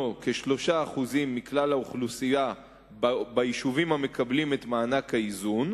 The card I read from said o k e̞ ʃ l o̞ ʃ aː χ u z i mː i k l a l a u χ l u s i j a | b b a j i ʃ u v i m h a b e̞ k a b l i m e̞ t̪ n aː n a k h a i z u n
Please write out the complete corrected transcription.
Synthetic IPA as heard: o k e̞ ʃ l o̞ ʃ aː χ u z i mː i k l a l a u χ l u s i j a | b b a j i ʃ u v i m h a m e̞ k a b l i m e̞ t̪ m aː n a k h a i z u n